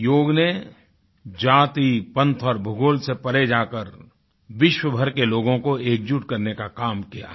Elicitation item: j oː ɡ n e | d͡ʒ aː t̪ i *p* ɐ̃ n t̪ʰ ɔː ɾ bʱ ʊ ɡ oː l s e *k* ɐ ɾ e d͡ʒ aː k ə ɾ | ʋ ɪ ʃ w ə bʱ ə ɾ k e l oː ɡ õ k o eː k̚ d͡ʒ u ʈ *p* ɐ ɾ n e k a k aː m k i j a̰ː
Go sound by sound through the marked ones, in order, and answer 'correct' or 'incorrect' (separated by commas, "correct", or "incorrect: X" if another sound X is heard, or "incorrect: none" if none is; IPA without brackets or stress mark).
correct, incorrect: p, incorrect: k